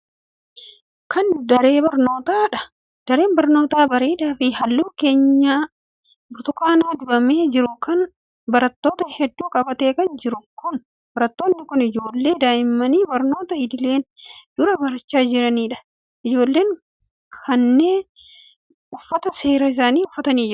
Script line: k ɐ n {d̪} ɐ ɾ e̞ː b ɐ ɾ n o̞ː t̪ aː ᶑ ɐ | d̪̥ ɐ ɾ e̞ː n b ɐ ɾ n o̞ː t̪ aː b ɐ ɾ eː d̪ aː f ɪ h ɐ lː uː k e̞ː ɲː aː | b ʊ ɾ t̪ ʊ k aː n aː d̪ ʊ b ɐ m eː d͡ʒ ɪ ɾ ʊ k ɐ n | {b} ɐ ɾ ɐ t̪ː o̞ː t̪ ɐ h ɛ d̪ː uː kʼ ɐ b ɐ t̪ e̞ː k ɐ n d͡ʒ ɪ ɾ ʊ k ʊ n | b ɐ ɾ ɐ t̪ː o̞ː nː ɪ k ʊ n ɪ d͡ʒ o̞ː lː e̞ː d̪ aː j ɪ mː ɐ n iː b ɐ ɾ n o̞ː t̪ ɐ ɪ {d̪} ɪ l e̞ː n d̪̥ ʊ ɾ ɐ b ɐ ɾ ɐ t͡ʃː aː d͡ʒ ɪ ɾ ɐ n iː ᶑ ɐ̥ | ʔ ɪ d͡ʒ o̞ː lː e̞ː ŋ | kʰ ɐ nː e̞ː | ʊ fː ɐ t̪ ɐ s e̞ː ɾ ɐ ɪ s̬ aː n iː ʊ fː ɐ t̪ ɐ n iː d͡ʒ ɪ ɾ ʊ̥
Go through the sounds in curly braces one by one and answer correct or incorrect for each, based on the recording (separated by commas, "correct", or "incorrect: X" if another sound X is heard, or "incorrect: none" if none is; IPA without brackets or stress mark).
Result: correct, correct, correct